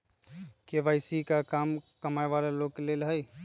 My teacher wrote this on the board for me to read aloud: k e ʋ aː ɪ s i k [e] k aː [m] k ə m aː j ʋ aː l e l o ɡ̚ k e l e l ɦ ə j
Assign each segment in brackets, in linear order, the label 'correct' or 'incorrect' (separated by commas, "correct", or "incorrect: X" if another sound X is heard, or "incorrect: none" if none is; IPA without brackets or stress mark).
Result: incorrect: a, correct